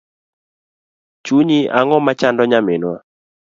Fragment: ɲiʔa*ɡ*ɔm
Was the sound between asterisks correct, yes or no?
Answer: no